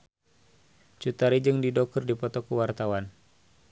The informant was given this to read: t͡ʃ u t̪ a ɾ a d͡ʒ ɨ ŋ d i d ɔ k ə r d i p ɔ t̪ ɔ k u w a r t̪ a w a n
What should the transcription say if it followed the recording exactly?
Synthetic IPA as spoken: t͡ʃ u t̪ a ɾ i d͡ʒ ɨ ŋ d i d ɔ k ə r d i p ɔ t̪ ɔ k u w a r t̪ a w a n